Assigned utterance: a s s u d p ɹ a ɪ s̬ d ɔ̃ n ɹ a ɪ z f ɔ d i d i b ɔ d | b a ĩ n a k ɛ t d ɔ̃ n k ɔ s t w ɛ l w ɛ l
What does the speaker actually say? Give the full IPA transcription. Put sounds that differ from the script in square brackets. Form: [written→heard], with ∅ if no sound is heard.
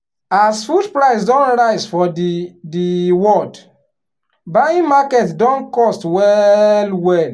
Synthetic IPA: a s [s→f] u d p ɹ a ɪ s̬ d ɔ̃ n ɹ a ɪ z f ɔ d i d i [b→w] ɔ d | b a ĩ [n→m] a k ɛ t d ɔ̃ n k ɔ s t w ɛ l w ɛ l

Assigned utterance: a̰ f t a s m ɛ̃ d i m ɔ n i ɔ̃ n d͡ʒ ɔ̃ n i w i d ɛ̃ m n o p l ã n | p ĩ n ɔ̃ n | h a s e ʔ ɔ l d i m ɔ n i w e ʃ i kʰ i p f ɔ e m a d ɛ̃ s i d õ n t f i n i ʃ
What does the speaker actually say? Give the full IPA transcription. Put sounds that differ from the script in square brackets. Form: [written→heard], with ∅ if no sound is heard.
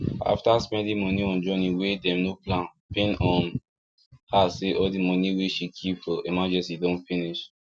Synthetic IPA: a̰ f t a s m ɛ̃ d i m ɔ n i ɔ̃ n d͡ʒ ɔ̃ n i w [i→e] d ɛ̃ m n o p l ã n | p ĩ n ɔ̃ n | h a s e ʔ ɔ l d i m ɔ n i w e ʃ i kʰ i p f ɔ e m a [d→d͡ʒ] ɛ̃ s i d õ n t f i n i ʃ

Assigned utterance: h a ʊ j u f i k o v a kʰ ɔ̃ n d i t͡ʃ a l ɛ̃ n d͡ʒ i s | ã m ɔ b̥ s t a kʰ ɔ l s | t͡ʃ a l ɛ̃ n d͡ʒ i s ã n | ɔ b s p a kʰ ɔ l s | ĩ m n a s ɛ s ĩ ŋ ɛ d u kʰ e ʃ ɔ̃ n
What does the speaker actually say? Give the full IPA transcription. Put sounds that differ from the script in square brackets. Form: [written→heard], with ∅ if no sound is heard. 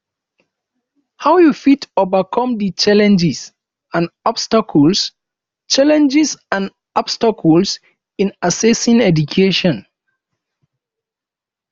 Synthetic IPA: h a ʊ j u f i [k→t] o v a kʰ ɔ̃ [n→m] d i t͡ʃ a l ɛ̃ n d͡ʒ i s | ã [m→n] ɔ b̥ s t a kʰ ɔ l s | t͡ʃ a l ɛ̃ n d͡ʒ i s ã n | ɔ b s [p→t] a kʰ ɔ l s | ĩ [m→∅] n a s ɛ s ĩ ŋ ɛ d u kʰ e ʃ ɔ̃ n

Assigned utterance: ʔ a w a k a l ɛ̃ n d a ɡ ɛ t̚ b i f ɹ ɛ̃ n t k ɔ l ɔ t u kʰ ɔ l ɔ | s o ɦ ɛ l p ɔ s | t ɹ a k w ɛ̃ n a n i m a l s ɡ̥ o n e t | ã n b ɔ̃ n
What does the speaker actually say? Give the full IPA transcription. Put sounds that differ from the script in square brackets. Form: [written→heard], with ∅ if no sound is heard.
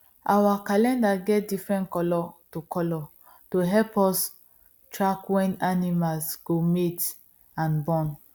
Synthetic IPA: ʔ a w a k a l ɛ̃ n d a ɡ ɛ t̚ [b→d] i f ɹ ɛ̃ n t k ɔ l ɔ t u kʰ ɔ l ɔ | [s→t] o ɦ ɛ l p ɔ s | t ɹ a k w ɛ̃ n a n i m a l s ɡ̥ o [n→m] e t | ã n b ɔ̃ n

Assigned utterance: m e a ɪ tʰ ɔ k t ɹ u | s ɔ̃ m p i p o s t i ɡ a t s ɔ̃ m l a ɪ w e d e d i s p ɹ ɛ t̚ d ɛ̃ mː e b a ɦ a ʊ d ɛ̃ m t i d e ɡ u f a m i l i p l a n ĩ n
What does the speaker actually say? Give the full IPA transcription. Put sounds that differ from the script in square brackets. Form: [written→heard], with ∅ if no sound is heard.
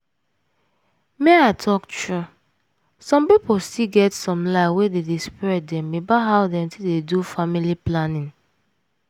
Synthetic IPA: m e a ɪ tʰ ɔ k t ɹ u | s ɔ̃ m p i p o s t i ɡ [a→ɛ] t s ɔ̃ m l a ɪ w e d e d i s p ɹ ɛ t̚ d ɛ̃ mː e b a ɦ a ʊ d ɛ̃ m t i d e [ɡ→d] u f a m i l i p l a n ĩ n

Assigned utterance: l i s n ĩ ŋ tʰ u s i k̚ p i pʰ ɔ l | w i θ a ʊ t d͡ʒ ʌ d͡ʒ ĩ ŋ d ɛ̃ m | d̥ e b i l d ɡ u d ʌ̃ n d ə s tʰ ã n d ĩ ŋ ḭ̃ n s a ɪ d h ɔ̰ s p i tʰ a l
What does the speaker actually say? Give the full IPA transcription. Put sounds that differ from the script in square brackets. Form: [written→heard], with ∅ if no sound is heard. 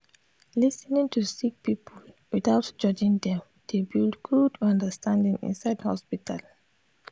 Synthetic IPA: l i s n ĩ ŋ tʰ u s i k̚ p i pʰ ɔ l | w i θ a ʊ t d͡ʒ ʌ d͡ʒ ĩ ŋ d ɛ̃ m | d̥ e b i l d ɡ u d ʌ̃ n d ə s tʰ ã n d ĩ ŋ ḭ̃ n s a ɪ d h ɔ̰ s p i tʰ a l

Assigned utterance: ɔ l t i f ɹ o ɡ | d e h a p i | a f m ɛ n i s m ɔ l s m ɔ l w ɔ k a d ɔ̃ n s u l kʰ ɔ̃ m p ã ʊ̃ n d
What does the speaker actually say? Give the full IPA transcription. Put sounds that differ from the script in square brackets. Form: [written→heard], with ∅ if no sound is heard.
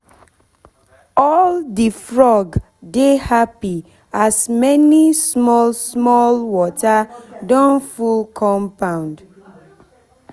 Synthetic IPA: ɔ l [t→d] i f ɹ [o→ɔ] ɡ | d e h a p i | a [f→s] m ɛ n i s m ɔ l s m ɔ l w ɔ [k→t] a d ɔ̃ n [s→f] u l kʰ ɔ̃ m p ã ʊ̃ n d

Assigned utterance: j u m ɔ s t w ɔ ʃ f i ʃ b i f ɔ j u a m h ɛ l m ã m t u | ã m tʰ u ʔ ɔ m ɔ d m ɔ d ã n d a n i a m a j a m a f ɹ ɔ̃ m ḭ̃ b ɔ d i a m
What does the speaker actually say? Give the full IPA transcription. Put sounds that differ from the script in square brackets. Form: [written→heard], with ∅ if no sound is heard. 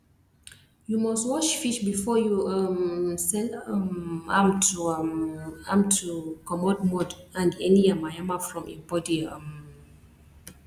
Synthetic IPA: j u m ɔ s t w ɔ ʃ f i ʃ b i f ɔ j u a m [h→s] ɛ l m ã m t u | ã m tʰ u [ʔ→k] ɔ m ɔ d m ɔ d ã n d [a→ɛ] n i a m a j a m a f ɹ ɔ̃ m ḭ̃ b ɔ d i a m

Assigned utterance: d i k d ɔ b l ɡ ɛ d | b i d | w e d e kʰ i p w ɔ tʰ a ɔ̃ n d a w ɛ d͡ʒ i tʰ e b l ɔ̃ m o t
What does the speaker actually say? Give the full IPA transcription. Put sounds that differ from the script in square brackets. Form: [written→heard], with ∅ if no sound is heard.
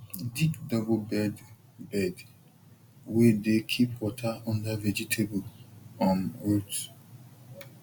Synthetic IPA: d i k d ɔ b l [ɡ→b] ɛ d | b [i→ɛ] d | w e d e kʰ i p w ɔ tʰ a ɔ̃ n d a [w→v] ɛ d͡ʒ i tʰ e b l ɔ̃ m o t

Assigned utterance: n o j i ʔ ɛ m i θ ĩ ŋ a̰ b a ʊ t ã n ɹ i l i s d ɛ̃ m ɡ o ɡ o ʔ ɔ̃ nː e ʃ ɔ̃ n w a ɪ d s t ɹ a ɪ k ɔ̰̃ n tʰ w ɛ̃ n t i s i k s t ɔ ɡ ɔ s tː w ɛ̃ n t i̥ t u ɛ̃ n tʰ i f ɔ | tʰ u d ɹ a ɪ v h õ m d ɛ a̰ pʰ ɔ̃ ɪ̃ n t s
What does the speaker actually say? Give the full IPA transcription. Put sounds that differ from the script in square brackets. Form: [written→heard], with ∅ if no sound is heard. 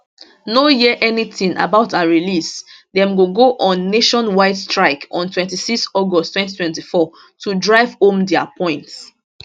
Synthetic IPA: n o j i ʔ ɛ [m→n] i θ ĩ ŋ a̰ b a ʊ t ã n ɹ i l i s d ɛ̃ m ɡ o ɡ o ʔ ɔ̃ nː e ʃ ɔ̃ n w a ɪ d s t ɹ a ɪ k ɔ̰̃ n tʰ w ɛ̃ n t i s i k s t ɔ ɡ ɔ s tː w ɛ̃ n t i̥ t [u→w] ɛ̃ n [tʰ→t] i f ɔ | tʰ u d ɹ a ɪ v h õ m d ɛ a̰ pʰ ɔ̃ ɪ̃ n t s

